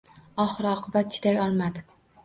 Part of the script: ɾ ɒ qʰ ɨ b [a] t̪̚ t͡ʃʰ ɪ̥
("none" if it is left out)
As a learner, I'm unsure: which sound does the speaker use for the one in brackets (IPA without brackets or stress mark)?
a